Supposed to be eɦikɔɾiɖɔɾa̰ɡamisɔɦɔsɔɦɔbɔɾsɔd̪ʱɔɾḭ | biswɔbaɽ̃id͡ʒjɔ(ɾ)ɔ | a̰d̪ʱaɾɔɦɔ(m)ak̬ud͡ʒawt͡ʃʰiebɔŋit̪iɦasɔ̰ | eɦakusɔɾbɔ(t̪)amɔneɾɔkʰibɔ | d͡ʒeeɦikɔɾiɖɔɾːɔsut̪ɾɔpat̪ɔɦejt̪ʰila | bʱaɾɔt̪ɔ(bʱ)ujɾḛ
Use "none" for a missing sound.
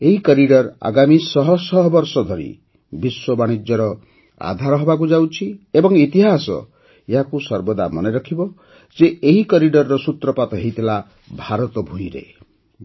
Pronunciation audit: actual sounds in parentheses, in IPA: ɾ, b, d̪, bʱ

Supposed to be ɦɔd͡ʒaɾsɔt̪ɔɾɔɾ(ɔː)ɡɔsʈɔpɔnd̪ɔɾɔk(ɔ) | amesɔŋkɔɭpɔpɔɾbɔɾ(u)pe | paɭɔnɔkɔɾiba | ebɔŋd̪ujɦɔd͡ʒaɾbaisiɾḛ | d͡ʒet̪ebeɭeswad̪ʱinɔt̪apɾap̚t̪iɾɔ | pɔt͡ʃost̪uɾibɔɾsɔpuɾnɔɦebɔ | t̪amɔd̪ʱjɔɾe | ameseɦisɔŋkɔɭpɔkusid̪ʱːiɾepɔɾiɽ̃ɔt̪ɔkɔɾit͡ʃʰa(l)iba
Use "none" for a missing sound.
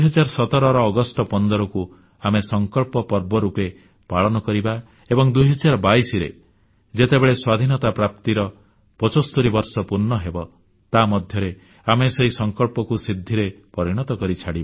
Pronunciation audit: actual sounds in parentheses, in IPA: ɔː, u, u, ɽ

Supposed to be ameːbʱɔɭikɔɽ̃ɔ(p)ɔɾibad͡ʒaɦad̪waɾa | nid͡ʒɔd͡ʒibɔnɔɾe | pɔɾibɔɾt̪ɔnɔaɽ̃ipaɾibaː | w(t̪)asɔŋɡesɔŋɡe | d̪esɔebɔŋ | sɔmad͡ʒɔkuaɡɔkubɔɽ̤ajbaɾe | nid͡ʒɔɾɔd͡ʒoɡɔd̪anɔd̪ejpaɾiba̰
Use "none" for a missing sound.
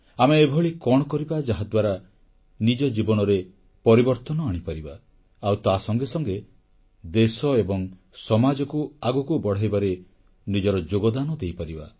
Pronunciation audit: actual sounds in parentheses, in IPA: k, t̪

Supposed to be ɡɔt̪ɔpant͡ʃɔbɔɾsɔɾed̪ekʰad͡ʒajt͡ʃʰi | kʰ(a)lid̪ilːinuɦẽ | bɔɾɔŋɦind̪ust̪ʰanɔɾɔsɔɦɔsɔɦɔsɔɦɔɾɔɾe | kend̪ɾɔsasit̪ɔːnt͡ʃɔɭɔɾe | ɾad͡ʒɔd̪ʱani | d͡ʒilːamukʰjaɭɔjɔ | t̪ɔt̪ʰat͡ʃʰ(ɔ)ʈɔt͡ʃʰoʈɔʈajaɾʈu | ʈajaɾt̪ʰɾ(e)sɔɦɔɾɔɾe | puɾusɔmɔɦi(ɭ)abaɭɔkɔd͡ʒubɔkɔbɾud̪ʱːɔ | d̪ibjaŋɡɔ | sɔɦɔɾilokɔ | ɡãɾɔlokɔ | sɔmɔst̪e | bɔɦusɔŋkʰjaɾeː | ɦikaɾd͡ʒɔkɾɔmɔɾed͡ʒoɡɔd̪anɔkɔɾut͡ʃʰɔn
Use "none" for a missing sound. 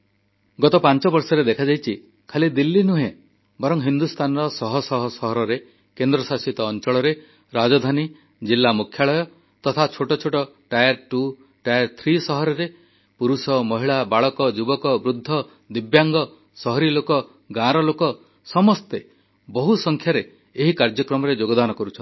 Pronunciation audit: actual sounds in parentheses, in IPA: a, o, i, ɭ

